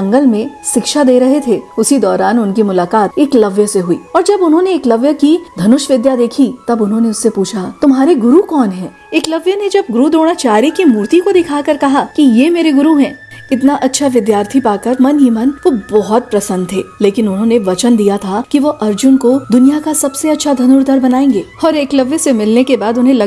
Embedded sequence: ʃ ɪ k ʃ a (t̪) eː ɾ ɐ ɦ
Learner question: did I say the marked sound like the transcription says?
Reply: no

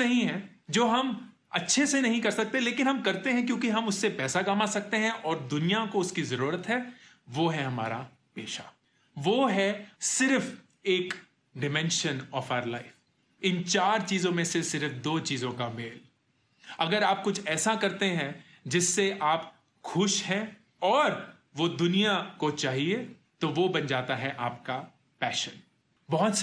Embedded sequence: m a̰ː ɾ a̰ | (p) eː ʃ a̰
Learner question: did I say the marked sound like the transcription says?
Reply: yes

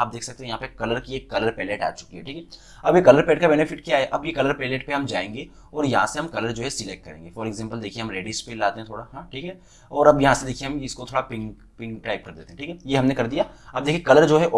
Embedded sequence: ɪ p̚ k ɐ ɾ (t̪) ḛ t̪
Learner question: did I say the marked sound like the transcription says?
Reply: no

